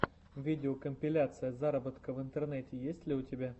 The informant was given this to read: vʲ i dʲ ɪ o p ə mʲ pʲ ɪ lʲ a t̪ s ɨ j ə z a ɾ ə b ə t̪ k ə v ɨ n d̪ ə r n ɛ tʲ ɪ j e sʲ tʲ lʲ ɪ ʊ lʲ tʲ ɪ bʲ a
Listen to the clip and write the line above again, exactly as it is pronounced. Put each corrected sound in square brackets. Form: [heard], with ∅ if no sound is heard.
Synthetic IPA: vʲ i dʲ ɪ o [k] ə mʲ pʲ ɪ lʲ a t̪ s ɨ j ə z a ɾ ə b ə t̪ k ə v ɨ n [t̪] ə r n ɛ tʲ ɪ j e sʲ tʲ lʲ ɪ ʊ [∅] tʲ ɪ bʲ a